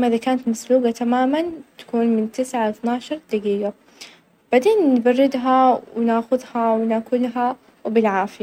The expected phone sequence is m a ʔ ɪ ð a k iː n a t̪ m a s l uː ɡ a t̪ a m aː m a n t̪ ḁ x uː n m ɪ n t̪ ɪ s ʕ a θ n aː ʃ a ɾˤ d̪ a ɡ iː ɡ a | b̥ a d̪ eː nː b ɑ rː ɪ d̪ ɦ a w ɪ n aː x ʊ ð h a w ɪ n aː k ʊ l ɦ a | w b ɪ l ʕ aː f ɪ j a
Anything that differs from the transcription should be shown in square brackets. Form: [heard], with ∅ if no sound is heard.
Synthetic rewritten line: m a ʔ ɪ ð a k [aː] n a t̪ m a s l uː ɡ a t̪ a m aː m a n t̪ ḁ [k] uː n m ɪ n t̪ ɪ s ʕ a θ n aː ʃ [ɑ] ɾˤ d̪ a ɡ iː ɡ a | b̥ a d̪ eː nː b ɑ rː ɪ d̪ ɦ a w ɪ n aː x ʊ ð h a w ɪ n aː k ʊ l ɦ a | w b ɪ l ʕ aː f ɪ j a